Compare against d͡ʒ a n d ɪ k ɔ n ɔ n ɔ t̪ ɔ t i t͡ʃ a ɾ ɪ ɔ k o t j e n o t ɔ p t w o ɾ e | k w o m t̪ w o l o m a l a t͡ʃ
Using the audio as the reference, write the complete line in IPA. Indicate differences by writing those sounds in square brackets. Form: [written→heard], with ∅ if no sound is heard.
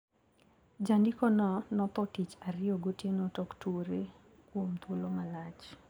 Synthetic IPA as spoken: d͡ʒ a n d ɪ k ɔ n ɔ n ɔ t̪ ɔ t i t͡ʃ a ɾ ɪ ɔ [k→ɡ] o t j e n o t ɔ [p→k] t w o ɾ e | k w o m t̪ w o l o m a l a t͡ʃ

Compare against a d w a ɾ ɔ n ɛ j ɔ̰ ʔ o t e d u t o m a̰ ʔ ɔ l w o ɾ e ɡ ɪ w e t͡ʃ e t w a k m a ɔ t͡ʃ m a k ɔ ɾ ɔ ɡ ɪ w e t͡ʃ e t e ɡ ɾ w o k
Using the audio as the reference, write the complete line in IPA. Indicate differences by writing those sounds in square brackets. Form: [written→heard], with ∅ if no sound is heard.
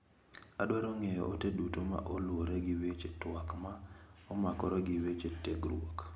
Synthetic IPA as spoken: a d w a ɾ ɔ [n→ŋ] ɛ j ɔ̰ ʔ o t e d u t o m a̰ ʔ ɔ l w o ɾ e ɡ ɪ w e t͡ʃ e t w a k m a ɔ [t͡ʃ→∅] m a k ɔ ɾ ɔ ɡ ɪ w e t͡ʃ e t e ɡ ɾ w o k

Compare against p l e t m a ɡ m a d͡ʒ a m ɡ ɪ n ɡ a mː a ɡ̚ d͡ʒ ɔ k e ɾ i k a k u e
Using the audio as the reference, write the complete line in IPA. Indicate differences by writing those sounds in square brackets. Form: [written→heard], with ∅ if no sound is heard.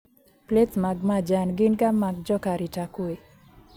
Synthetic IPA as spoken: p l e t m a ɡ m a d͡ʒ a [m→n] ɡ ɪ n ɡ a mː a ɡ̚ d͡ʒ ɔ k [e→a] ɾ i [k→t] a k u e

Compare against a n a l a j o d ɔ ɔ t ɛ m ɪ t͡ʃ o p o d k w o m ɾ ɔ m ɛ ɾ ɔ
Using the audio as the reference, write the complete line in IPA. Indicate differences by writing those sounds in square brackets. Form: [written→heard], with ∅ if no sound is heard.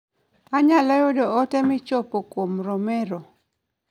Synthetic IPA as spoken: a [n→ɲ] a l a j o d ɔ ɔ t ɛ m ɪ t͡ʃ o p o [d→∅] k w o m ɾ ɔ m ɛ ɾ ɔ

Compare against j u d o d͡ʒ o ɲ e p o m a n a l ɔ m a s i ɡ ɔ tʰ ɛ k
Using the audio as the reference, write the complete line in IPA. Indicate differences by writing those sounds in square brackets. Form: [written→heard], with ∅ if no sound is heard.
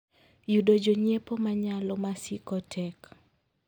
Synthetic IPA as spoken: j u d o d͡ʒ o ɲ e p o m a [n→ɲ] a l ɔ m a s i [ɡ→k] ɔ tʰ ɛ k

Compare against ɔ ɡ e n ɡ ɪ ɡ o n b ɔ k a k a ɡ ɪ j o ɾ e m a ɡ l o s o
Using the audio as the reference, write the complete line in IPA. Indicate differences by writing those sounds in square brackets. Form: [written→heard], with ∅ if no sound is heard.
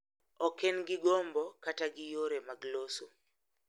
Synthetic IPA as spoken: ɔ [ɡ→k] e n ɡ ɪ ɡ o [n→m] b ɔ k a [k→t] a ɡ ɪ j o ɾ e m a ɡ l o s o

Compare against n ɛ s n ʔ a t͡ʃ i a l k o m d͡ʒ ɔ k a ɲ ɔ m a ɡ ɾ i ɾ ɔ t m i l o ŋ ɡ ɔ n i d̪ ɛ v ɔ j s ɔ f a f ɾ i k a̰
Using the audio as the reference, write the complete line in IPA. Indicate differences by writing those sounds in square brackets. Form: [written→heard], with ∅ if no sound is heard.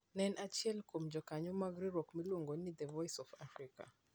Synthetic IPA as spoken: n ɛ [s→∅] n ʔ a t͡ʃ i [a→ɛ] l k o m d͡ʒ ɔ k a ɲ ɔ m a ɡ ɾ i ɾ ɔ [t→k] m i l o ŋ ɡ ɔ n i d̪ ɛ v ɔ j s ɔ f a f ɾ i k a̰

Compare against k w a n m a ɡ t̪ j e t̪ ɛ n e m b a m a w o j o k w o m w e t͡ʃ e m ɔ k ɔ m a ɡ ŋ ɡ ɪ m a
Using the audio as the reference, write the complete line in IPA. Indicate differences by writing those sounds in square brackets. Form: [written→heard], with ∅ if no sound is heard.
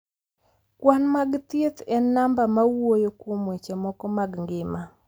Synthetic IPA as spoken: k w a n m a ɡ t̪ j e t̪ ɛ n [e→a] m b a m a w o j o k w o m w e t͡ʃ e m ɔ k ɔ m a ɡ ŋ ɡ ɪ m a

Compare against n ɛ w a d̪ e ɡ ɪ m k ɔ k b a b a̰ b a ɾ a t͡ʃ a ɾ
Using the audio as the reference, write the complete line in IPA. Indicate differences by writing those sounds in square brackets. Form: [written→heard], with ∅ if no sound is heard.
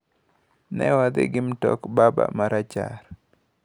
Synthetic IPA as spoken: n ɛ w a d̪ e ɡ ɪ m [k→t] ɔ k b a b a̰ [b→m] a ɾ a t͡ʃ a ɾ

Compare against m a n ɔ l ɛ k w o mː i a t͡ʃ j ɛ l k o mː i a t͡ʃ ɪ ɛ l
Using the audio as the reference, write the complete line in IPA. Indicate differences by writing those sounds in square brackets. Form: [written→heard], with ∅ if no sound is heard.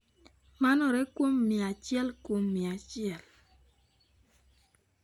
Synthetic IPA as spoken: m a n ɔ [l→ɾ] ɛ k w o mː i a t͡ʃ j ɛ l k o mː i a t͡ʃ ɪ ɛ l

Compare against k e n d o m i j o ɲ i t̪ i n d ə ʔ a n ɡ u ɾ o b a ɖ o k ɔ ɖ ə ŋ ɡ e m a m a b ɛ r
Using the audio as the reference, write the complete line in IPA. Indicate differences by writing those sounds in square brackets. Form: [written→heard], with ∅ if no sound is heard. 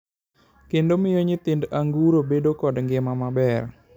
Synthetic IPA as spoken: k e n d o m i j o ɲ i t̪ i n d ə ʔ a [n→ŋ] ɡ u ɾ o b [a→e] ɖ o k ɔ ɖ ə ŋ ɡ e m a m a b ɛ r

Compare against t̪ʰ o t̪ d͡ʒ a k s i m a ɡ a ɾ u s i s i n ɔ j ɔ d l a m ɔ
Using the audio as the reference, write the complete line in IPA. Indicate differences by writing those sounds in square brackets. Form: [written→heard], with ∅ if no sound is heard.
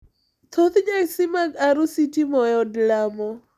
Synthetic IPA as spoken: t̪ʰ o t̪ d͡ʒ a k s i m a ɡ a ɾ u s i [s→t] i [n→m] ɔ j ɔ d l a m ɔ

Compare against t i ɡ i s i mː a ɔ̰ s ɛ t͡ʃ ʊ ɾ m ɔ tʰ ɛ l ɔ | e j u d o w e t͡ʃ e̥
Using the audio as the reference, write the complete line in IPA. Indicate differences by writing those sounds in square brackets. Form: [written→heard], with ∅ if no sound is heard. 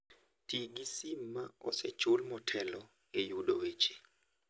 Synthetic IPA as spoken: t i ɡ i s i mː a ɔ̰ s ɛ t͡ʃ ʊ [ɾ→l] m ɔ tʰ ɛ l ɔ | e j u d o w e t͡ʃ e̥

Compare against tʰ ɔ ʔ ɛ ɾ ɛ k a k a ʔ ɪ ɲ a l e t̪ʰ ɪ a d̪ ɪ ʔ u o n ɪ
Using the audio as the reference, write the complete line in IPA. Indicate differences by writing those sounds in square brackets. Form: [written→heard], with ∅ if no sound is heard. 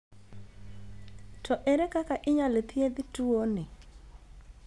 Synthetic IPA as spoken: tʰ ɔ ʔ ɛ ɾ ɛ k a k a ʔ ɪ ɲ a l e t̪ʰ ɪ [a→e] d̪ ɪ [ʔ→t] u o n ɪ

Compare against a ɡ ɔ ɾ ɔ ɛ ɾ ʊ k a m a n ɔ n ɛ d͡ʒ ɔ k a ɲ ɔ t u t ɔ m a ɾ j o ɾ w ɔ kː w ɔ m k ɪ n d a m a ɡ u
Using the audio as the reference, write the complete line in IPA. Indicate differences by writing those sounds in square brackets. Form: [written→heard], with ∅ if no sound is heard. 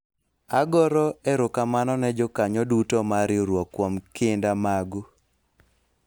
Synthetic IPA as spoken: a ɡ ɔ ɾ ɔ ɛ ɾ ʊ k a m a n ɔ n ɛ d͡ʒ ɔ k a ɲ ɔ [t→d] u t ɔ m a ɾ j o ɾ w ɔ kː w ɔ m k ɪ n d a m a ɡ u

